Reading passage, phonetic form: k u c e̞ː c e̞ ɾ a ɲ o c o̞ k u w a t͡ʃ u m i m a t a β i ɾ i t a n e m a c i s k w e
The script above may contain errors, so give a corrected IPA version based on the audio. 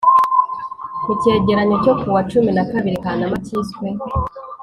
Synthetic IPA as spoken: k u c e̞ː ɟ e̞ ɾ a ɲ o c o̞ k u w a t͡ʃ u m i n a k a β i ɾ i k a n a m a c i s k w e